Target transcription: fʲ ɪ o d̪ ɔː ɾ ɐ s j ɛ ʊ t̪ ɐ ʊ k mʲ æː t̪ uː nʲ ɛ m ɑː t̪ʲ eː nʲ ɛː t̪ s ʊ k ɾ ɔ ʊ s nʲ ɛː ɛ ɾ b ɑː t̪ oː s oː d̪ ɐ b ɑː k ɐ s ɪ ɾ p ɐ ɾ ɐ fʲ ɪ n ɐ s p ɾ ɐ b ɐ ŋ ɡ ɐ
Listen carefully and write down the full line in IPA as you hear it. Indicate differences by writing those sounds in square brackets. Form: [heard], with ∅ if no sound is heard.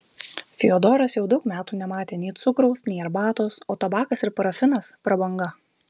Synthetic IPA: fʲ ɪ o d̪ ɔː ɾ ɐ s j ɛ ʊ [d̪] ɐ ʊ k mʲ æː t̪ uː nʲ ɛ m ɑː t̪ʲ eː nʲ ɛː t̪ s ʊ k ɾ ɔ ʊ s nʲ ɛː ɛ ɾ b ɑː t̪ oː s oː [t̪] ɐ b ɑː k ɐ s ɪ ɾ p ɐ ɾ ɐ fʲ ɪ n ɐ s p ɾ ɐ b ɐ ŋ ɡ ɐ